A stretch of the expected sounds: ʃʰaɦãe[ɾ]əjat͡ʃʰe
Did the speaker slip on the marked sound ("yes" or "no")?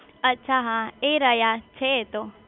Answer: no